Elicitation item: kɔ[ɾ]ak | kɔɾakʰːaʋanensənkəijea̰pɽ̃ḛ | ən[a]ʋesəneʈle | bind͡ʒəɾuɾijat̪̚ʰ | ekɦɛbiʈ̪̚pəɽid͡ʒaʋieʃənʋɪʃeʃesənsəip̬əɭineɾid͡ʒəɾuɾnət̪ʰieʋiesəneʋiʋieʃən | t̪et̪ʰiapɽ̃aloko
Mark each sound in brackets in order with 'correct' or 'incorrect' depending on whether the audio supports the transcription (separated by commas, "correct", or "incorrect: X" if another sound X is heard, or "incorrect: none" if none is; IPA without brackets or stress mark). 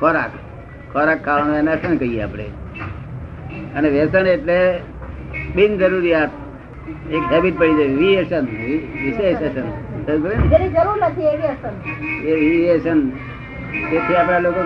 correct, incorrect: e